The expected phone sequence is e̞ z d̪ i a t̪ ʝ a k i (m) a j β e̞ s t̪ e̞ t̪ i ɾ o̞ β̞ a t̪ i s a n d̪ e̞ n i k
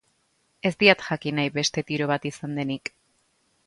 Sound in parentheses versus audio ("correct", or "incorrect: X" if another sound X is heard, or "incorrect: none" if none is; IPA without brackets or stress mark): incorrect: n